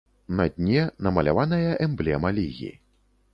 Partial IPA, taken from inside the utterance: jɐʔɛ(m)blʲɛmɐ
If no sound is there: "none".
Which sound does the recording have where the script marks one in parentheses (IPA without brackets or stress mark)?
m